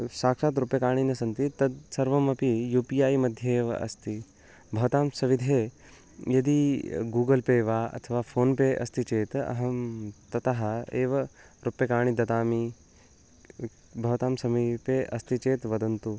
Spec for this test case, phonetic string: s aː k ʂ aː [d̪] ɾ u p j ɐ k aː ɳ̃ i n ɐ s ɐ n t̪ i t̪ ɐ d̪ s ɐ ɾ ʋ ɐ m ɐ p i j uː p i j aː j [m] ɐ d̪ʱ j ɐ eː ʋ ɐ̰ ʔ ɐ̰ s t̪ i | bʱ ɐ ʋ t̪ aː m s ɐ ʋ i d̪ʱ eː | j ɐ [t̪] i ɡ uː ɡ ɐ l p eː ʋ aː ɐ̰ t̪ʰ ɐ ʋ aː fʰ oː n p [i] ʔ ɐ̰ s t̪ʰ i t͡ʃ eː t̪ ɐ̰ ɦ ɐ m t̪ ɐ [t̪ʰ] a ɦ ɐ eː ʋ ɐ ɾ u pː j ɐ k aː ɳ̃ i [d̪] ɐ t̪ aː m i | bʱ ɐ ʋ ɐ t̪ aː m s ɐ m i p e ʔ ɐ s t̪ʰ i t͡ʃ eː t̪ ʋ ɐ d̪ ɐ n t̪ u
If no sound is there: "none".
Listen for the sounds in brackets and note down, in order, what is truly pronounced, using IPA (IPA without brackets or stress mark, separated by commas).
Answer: t̪, m, d̪, e, t̪, d̪